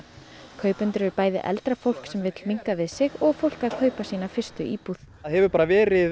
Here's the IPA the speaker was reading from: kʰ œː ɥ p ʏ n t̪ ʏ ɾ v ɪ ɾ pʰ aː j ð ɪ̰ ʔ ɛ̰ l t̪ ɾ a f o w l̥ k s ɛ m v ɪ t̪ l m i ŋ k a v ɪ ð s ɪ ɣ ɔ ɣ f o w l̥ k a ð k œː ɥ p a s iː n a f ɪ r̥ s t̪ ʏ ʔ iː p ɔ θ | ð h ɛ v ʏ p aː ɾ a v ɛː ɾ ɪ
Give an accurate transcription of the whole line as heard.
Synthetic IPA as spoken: kʰ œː ɥ p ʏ n t̪ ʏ ɾ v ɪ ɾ p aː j ð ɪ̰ ʔ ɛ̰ l t̪ ɾ a f o w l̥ k s ɛ m v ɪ t̪ l m i ŋ k a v ɪ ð s ɪ ɣ ɔ ɣ f o w l̥ k a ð kʰ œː ɥ p a s iː n a f ɪ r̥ s t̪ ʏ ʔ iː p u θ | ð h ɛ v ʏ p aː ɾ a v ɛː ɾ ɪ

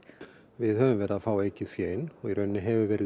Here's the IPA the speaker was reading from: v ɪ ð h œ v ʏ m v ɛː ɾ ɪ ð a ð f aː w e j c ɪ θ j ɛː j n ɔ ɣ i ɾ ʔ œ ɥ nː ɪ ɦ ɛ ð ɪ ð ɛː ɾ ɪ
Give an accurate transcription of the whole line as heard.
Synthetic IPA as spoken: v ɪ ð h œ v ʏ m v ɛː ɾ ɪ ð a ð f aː w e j c ɪ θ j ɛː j n ɔ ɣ i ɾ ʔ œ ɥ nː ɪ ɦ ɛ v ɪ v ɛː ɾ ɪ

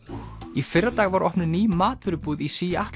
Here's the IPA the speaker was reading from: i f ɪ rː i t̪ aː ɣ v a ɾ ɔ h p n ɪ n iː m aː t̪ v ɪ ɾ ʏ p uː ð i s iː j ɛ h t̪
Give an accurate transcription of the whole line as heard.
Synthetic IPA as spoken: i f ɪ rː a t̪ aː ɣ v a ɾ ɔ h p n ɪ n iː m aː t̪ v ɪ ɾ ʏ p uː ð i s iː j a h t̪

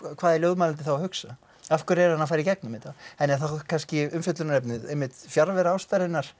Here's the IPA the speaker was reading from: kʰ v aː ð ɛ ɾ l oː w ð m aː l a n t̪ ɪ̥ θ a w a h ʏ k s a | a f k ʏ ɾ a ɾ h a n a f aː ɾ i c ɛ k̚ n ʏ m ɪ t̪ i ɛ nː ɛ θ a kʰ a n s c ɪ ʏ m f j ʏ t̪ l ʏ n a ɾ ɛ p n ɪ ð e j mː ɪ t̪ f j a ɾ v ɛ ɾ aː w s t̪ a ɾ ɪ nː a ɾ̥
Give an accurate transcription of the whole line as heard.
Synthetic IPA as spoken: kʰ v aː ð ɛ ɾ l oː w ð m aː l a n t̪ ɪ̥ θ a w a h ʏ k s a | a f k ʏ ɾ ɛ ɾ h a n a f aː ɾ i c ɛ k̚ n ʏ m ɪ t̪ a ɛ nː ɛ θ a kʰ a n s c ɪ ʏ m f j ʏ t̪ l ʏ n a ɾ ɛ p n ɪ ð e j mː ɪ t̪ f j a ɾ v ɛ ɾ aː w s t̪ a ɾ ɪ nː a ɾ̥

